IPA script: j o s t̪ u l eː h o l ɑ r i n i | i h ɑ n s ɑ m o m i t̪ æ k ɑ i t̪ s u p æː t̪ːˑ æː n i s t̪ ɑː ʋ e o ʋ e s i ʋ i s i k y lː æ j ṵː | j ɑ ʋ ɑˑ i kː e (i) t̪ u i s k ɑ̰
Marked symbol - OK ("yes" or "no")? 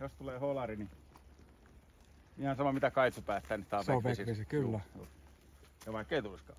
yes